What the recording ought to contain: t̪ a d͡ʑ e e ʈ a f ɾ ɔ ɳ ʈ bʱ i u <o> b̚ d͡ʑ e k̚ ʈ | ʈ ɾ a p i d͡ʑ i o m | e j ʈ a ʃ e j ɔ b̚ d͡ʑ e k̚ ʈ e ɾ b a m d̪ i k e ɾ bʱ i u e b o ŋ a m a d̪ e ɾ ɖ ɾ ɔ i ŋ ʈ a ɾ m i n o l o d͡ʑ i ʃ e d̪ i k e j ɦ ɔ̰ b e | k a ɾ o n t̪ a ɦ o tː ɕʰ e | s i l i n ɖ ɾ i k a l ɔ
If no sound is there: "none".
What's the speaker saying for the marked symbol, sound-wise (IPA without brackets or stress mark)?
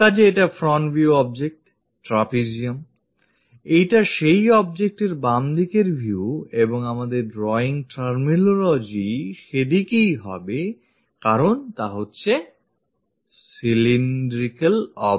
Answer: ɔ